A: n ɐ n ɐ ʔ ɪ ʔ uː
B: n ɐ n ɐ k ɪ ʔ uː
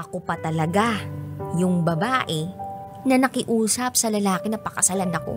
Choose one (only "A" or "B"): B